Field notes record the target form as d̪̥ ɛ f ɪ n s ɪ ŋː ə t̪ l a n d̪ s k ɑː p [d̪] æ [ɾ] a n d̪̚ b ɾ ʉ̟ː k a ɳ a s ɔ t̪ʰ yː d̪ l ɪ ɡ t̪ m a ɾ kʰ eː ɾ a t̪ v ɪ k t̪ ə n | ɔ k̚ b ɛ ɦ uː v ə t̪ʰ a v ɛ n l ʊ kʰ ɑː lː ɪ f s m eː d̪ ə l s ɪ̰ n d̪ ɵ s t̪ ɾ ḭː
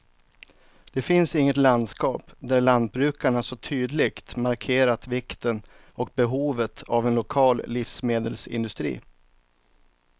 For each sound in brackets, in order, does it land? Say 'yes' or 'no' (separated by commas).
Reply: yes, no